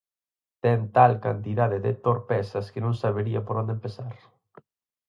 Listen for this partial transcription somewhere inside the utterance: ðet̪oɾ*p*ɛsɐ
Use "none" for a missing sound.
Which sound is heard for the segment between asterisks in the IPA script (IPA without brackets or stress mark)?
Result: p